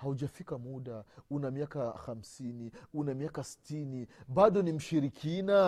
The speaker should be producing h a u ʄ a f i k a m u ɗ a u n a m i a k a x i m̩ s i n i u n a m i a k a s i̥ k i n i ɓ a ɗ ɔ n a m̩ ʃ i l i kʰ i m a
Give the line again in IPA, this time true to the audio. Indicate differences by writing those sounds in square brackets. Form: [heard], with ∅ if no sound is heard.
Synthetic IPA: h a u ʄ a f i k a m u ɗ a u n a m i a k a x [a] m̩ s i n i u n a m i a k a s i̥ [t] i n i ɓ a ɗ ɔ n [i] m̩ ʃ i [ɾ] i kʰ i [n] a